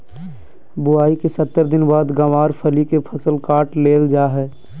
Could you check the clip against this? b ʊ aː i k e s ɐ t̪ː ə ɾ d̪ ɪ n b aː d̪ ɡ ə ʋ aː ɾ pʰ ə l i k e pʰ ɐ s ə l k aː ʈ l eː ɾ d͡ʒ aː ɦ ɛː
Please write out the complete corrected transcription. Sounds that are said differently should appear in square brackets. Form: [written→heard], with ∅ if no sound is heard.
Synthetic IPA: b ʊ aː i k e s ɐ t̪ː ə ɾ d̪ ɪ n b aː d̪ ɡ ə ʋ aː ɾ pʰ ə l i k e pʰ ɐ s ə l k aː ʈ l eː [ɾ→l] d͡ʒ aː ɦ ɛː